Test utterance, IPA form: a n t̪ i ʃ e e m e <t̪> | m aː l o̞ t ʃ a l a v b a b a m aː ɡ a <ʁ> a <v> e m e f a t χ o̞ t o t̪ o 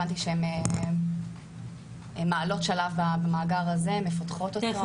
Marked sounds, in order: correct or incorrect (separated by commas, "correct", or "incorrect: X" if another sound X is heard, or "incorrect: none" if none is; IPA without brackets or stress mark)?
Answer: incorrect: none, correct, incorrect: z